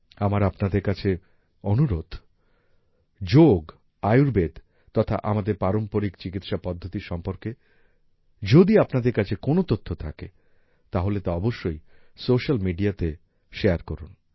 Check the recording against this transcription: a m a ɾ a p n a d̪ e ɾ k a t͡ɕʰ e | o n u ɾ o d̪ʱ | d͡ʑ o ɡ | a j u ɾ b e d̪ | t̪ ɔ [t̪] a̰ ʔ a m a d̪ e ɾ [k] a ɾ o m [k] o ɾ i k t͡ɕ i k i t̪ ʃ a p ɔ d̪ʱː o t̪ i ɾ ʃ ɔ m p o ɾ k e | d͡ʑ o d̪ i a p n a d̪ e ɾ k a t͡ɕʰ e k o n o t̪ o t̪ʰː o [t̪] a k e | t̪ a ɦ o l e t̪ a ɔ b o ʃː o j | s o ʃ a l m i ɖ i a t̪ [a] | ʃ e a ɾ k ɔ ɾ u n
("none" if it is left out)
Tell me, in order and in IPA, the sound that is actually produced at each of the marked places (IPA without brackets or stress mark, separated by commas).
t̪ʰ, p, p, t̪ʰ, e